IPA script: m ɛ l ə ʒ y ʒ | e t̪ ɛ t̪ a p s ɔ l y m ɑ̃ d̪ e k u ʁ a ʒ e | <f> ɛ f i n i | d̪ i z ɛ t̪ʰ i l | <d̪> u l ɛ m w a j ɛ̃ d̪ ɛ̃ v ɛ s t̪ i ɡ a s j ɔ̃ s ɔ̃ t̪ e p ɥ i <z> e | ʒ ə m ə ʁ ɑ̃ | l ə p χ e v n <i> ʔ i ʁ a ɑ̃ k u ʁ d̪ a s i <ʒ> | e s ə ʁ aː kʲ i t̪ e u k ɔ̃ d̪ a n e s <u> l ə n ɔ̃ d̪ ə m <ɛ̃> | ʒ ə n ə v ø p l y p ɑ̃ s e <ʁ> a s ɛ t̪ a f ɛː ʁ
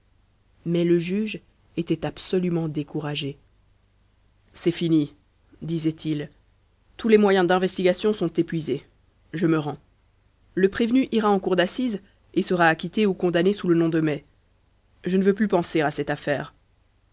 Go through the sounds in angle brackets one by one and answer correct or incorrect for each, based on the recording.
incorrect: s, incorrect: t̪, correct, incorrect: y, incorrect: z, correct, incorrect: ɛ, correct

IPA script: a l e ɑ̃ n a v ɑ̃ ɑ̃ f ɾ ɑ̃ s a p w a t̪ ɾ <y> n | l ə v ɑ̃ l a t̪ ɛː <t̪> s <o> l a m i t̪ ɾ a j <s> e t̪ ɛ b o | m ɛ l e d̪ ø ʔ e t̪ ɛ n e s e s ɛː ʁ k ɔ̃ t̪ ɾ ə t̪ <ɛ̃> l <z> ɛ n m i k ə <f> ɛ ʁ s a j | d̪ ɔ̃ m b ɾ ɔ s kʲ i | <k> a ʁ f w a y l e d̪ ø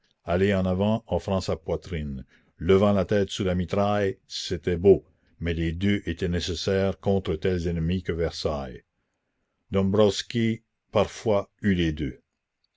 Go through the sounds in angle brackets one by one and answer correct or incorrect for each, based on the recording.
incorrect: i, correct, incorrect: u, correct, incorrect: ɛ, correct, incorrect: v, incorrect: p

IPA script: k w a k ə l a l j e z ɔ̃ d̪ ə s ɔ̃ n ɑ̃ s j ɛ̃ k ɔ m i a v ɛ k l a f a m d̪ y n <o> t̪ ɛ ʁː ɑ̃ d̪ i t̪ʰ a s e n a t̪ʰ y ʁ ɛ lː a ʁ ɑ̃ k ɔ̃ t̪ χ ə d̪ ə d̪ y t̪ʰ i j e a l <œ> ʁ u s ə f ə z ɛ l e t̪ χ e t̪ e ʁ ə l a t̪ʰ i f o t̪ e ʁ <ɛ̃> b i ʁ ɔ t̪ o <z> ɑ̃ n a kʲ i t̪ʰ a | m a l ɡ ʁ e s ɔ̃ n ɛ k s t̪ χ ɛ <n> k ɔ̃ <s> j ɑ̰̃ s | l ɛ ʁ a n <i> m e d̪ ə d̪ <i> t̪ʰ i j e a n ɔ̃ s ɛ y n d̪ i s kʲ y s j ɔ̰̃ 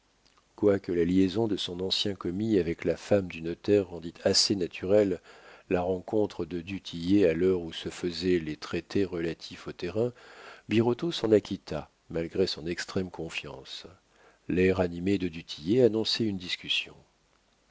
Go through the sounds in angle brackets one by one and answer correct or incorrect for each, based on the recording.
incorrect: ɔ, correct, correct, incorrect: s, incorrect: m, incorrect: f, correct, incorrect: y

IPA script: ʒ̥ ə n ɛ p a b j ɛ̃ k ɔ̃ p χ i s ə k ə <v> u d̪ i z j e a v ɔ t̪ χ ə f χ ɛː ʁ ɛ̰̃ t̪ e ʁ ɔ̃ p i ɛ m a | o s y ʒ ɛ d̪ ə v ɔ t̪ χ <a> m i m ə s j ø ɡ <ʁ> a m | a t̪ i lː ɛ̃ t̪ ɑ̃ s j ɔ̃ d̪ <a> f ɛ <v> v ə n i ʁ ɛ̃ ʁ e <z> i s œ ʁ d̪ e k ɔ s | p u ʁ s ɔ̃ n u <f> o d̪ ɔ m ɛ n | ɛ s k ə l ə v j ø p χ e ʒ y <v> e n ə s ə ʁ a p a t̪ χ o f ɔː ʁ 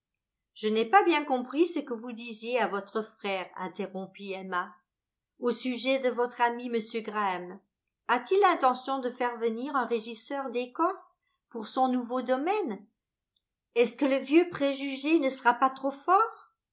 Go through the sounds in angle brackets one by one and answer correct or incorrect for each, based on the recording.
correct, correct, correct, incorrect: ə, incorrect: ʁ, incorrect: ʒ, incorrect: v, incorrect: ʒ

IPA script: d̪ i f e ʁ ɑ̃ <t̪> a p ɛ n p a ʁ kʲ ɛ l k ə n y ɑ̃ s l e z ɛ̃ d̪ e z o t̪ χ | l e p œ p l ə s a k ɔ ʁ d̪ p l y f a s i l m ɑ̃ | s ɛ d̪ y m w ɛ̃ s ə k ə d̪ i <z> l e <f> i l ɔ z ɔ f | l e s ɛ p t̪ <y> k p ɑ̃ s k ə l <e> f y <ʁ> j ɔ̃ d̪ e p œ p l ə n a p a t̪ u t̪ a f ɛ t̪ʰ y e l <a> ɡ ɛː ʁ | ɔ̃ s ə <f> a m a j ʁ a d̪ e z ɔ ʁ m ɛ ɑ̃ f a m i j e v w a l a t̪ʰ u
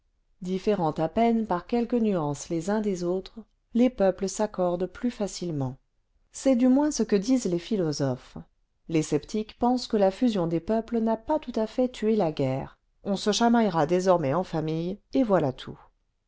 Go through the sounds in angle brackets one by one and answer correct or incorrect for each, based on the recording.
correct, correct, correct, incorrect: i, incorrect: a, incorrect: z, correct, incorrect: ʃ

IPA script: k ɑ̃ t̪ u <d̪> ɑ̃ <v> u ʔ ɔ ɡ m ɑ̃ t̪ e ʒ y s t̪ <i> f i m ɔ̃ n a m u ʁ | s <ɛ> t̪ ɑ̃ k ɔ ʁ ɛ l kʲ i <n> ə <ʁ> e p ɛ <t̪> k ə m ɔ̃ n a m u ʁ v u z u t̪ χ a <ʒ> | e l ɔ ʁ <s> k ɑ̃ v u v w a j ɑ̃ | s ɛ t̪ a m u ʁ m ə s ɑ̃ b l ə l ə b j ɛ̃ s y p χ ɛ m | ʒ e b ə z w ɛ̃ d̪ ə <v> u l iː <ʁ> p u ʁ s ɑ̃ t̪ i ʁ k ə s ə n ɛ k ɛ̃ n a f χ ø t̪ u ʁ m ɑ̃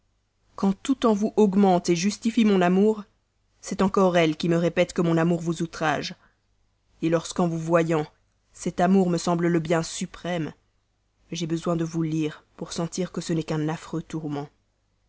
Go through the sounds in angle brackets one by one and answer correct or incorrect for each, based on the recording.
incorrect: t̪, correct, correct, correct, incorrect: m, correct, correct, correct, correct, correct, correct

